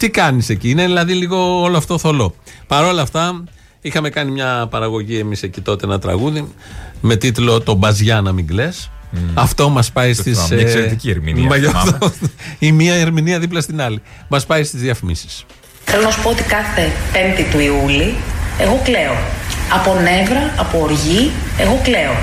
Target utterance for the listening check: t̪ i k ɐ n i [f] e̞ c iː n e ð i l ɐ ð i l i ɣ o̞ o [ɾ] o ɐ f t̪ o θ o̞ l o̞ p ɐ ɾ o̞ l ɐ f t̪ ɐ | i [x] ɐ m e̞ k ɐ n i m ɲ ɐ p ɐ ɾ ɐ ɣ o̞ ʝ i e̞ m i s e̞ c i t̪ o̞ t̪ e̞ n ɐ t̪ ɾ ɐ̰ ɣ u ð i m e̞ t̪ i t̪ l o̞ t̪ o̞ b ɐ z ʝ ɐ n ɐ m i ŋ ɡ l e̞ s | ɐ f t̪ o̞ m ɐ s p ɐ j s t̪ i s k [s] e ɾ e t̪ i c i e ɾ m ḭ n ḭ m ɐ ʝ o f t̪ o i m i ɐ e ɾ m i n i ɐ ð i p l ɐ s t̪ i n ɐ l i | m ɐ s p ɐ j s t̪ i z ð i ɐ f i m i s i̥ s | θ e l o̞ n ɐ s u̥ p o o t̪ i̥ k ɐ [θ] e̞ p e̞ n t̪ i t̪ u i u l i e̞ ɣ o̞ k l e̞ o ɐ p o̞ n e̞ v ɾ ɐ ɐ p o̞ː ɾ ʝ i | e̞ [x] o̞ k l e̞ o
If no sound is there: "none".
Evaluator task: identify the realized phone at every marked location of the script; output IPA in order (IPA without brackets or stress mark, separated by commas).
s, l, x, s, θ, ɣ